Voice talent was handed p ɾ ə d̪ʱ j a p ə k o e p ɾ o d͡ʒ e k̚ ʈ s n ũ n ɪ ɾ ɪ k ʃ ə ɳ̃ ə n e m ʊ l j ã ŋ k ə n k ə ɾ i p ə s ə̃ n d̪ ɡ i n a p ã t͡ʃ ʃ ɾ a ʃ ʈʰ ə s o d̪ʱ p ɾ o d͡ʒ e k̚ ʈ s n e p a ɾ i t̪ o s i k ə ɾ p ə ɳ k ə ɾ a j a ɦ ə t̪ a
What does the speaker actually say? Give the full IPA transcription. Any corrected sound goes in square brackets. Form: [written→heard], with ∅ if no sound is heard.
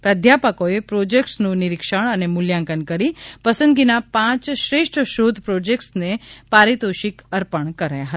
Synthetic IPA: p ɾ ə d̪ʱ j a p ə k o e p ɾ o d͡ʒ e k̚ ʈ s n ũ n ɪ ɾ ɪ k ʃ ə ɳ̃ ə n e m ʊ l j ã ŋ k ə n k ə ɾ i p ə s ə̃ n d̪ ɡ i n a p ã t͡ʃ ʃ ɾ [a→e] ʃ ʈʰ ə [s→ʃ] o d̪ʱ p ɾ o d͡ʒ e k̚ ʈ s n e p a ɾ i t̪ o [s→ʃ] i k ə ɾ p ə ɳ k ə ɾ a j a ɦ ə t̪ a